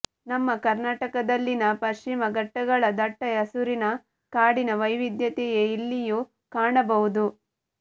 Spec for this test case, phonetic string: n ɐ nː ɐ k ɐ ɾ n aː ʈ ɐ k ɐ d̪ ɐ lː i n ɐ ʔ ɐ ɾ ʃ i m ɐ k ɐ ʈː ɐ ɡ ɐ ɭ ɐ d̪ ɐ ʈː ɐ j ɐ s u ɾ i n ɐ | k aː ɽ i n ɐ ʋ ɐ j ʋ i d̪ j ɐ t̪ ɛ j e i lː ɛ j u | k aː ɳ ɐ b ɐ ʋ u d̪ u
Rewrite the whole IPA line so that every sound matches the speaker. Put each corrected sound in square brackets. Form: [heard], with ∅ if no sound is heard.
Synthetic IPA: n ɐ [mː] ɐ k ɐ ɾ n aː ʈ ɐ k ɐ d̪ ɐ lː i n ɐ [p] ɐ ɾ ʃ i m ɐ [ɡ] ɐ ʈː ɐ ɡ ɐ ɭ ɐ d̪ ɐ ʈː ɐ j ɐ s u ɾ i n ɐ | k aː ɽ i n ɐ ʋ ɐ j ʋ i d̪ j ɐ t̪ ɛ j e i lː [i] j u | k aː ɳ ɐ b ɐ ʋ u d̪ u